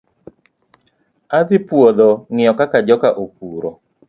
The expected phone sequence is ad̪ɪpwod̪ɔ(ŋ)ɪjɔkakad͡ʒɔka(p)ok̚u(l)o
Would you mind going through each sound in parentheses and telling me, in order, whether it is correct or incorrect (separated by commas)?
correct, incorrect, incorrect